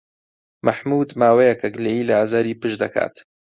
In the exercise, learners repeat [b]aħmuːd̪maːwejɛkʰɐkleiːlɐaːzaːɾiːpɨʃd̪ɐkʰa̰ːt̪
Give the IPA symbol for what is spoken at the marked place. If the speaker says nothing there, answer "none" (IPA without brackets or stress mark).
m